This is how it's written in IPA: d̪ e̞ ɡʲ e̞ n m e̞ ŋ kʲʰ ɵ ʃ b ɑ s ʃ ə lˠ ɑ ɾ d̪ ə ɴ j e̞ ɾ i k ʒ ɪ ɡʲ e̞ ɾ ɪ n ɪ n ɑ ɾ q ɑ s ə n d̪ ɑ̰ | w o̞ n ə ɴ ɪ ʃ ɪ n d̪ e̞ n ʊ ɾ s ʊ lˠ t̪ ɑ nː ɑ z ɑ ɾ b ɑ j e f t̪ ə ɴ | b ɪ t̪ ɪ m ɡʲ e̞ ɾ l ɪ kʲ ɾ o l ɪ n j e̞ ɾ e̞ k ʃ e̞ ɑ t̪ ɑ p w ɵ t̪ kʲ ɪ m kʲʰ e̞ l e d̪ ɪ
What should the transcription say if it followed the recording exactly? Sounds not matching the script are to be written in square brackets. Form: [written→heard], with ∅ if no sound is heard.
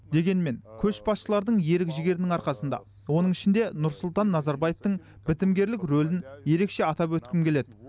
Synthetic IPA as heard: d̪ e̞ ɡʲ e̞ n m e̞ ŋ kʲʰ ɵ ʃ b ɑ s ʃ ə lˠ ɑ ɾ d̪ ə ɴ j e̞ ɾ [i→ɪ] k ʒ ɪ ɡʲ e̞ ɾ ɪ n ɪ [n→ŋ] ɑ ɾ q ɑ s ə n d̪ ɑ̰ | w o̞ n ə ɴ ɪ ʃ ɪ n d̪ e̞ n ʊ ɾ s ʊ lˠ t̪ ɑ nː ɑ z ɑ ɾ b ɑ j e f t̪ ə ɴ | b ɪ t̪ ɪ m ɡʲ e̞ ɾ l ɪ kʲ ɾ o l ɪ n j e̞ ɾ e̞ k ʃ e̞ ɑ t̪ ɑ p w ɵ t̪ kʲ ɪ m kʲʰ e̞ l e d̪ ɪ